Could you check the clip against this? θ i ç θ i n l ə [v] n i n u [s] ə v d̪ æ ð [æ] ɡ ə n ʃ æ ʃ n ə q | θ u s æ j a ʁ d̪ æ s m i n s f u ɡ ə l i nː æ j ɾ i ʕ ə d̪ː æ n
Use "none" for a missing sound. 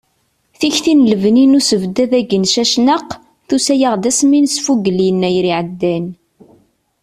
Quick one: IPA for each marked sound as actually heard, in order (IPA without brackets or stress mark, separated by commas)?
v, s, æ